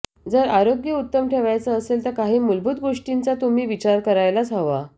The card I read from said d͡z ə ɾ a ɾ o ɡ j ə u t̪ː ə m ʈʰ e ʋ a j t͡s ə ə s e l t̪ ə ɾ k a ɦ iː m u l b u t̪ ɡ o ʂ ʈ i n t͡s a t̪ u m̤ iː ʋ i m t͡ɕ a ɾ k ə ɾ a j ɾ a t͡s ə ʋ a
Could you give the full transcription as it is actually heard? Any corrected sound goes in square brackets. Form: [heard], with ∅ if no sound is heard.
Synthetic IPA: d͡z ə ɾ a ɾ o ɡ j ə u t̪ː ə m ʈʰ e ʋ a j t͡s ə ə s e l t̪ ə ɾ k a ɦ iː m u l b u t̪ ɡ o ʂ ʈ i n t͡s a t̪ u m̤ iː ʋ i [∅] t͡ɕ a ɾ k ə ɾ a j [l] a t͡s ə ʋ a